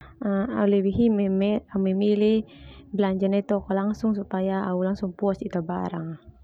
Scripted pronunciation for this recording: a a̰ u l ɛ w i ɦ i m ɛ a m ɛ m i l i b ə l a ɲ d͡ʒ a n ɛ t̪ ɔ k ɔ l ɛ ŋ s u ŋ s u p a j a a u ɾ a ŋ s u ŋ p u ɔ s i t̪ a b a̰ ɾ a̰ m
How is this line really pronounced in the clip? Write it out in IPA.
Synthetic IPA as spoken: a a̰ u l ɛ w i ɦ i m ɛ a m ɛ m i l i b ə l a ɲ d͡ʒ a n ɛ t̪ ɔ k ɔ l a ŋ s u ŋ s u p a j a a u l a ŋ s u ŋ p u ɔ s i t̪ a b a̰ ɾ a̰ ŋ